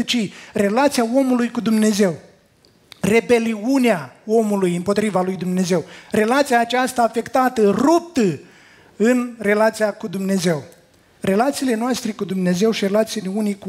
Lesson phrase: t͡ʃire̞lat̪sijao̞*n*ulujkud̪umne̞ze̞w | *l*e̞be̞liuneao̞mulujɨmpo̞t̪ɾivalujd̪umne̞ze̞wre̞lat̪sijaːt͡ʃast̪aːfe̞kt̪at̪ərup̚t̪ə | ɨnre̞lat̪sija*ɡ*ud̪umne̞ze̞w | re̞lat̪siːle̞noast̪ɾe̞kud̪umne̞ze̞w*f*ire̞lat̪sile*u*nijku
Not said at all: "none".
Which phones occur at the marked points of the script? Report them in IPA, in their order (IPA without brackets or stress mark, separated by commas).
m, r, k, ʃ, u